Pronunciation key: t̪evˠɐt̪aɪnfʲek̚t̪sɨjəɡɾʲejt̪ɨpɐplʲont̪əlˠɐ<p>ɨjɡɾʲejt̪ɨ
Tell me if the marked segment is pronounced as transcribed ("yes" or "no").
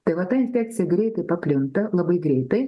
no